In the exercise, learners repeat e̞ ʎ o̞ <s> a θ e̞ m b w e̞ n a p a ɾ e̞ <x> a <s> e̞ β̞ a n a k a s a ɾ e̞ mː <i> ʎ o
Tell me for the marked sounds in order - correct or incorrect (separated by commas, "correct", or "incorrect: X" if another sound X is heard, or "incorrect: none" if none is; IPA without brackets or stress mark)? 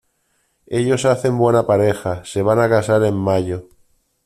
correct, correct, correct, incorrect: a